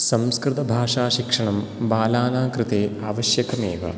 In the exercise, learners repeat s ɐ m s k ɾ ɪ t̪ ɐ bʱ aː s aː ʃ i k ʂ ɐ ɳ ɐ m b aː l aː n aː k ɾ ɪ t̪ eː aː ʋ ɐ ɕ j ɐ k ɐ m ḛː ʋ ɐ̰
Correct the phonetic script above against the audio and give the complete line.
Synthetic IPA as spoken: s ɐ m s k ɾ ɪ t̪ ɐ bʱ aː ʂ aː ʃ i k ʂ ɐ ɳ ɐ m b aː l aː n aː k ɾ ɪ t̪ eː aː ʋ ɐ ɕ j ɐ k ɐ m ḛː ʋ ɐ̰